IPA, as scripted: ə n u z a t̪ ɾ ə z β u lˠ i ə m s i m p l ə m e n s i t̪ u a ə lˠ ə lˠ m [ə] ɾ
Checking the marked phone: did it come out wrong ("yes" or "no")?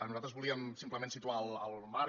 yes